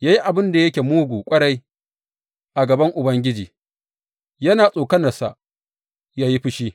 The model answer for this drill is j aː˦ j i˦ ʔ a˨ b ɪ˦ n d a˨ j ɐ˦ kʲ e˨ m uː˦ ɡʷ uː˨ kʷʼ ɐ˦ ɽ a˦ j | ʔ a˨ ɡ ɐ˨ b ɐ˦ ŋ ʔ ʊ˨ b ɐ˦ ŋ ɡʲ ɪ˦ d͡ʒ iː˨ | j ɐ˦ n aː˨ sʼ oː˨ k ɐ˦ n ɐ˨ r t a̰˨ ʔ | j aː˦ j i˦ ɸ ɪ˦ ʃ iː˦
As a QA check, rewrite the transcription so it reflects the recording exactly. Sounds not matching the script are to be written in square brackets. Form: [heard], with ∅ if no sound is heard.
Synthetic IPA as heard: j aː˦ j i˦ ʔ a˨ b ɪ˦ n d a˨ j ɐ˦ kʲ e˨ m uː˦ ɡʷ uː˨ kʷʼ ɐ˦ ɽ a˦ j | ʔ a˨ ɡ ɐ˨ b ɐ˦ ŋ ʔ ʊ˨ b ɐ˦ ŋ ɡʲ ɪ˦ d͡ʒ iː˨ | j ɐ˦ n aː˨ sʼ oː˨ k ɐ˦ n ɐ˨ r [s] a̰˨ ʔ | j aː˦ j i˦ ɸ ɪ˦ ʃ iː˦